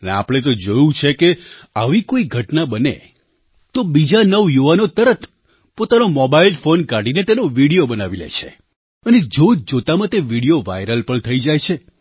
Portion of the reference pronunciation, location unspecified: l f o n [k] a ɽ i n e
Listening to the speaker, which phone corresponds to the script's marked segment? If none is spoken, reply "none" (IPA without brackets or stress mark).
k